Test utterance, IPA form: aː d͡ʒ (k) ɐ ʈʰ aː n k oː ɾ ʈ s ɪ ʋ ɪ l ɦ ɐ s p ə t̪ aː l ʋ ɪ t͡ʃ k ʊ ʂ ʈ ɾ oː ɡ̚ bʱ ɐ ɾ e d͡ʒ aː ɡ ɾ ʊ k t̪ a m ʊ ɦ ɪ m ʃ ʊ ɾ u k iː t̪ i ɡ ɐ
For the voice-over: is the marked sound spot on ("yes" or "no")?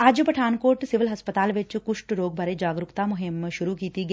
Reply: no